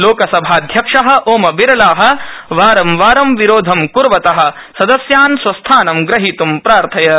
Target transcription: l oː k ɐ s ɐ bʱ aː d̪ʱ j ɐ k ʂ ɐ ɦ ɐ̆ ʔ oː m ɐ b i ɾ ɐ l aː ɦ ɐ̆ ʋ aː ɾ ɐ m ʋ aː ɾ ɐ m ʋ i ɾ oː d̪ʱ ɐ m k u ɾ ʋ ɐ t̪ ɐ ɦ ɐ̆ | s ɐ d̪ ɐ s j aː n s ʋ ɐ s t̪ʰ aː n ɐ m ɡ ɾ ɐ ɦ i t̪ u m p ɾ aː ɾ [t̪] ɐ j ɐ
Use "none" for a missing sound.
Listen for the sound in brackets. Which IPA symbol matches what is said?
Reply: t̪ʰ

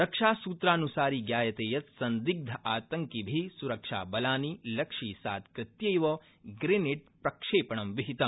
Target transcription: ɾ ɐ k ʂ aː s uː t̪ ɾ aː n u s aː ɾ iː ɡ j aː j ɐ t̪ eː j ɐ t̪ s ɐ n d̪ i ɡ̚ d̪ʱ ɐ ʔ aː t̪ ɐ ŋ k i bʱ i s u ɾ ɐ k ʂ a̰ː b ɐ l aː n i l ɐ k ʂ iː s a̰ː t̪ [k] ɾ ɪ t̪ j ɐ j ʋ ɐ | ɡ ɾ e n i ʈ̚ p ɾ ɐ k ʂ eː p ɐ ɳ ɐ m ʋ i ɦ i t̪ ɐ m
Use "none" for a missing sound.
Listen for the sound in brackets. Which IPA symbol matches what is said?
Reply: k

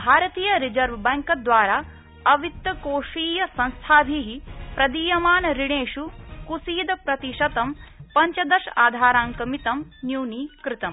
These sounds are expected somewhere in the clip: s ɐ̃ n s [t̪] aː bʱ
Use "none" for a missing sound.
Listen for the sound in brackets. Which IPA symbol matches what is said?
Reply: t̪ʰ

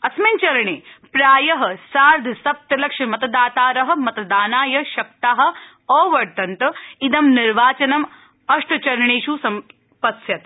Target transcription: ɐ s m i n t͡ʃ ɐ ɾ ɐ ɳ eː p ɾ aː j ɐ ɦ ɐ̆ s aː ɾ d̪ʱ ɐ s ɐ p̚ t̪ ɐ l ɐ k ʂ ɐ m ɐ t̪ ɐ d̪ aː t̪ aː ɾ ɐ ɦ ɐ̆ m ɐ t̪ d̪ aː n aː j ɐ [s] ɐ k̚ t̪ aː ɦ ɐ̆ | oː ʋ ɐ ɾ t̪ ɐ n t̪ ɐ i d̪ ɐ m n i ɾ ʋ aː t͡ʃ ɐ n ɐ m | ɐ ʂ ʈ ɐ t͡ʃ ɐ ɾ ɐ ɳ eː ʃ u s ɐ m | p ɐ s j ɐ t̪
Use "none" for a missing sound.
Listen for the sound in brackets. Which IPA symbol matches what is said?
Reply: ʃ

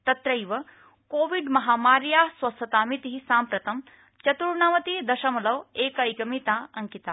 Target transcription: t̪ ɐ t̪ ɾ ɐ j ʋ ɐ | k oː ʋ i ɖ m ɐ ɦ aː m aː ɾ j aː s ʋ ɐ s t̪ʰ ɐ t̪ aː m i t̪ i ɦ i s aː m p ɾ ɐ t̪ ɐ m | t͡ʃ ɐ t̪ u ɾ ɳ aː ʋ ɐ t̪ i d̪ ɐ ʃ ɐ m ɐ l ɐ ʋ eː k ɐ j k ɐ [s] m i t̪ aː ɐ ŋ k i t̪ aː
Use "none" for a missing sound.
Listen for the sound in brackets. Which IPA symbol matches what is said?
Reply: none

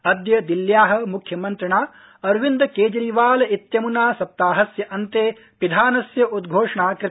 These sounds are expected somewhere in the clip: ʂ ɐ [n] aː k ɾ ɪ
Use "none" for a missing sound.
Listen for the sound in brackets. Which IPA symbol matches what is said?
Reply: ɳ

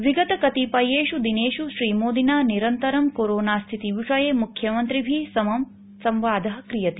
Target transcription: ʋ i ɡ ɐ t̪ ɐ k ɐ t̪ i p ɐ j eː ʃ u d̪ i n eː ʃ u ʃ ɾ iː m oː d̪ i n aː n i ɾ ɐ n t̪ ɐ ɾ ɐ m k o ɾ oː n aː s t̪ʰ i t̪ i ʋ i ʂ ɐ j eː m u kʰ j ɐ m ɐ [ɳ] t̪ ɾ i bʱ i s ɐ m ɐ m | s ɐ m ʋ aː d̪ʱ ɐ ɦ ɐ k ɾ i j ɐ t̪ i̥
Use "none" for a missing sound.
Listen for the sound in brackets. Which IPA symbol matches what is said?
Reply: n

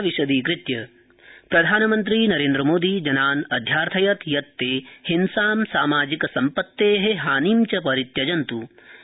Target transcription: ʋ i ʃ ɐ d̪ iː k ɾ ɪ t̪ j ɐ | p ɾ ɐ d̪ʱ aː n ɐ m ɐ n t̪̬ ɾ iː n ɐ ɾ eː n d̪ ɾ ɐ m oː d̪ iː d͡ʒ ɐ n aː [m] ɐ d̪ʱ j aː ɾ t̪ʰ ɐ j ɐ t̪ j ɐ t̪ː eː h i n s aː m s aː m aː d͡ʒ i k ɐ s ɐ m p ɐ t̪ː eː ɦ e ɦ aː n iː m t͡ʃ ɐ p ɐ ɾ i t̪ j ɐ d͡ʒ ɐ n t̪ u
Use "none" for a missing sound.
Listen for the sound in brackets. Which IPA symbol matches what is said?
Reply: n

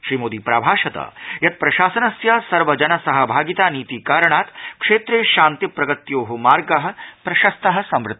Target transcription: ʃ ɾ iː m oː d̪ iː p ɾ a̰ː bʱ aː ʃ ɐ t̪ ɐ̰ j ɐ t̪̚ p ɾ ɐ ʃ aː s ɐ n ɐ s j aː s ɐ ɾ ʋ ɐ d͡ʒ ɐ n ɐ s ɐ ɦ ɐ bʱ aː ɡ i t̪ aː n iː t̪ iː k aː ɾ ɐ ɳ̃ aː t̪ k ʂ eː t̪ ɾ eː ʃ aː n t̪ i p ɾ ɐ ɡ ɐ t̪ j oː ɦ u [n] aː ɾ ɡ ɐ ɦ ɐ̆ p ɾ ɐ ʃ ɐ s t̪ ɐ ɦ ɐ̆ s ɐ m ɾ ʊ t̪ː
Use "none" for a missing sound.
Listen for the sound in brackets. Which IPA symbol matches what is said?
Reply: m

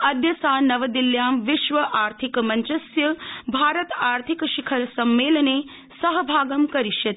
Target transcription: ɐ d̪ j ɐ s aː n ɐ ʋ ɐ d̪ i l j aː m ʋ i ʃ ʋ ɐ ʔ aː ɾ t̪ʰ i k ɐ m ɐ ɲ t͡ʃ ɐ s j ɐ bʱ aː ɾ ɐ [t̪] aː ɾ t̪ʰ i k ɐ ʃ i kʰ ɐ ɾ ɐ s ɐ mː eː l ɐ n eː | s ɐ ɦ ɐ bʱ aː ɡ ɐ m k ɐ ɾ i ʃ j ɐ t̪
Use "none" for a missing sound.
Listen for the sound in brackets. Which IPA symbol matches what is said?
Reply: t̪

